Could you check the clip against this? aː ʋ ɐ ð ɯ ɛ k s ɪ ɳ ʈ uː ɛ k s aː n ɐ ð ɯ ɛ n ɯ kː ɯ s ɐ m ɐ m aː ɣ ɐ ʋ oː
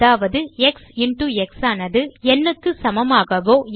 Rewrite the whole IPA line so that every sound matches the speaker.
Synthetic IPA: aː ʋ ɐ ð ɯ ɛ k s ɪ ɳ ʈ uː ɛ k s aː n ɐ ð ɯ ɛ nː ɯ kː ɯ s ɐ m ɐ m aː ɣ ɐ ʋ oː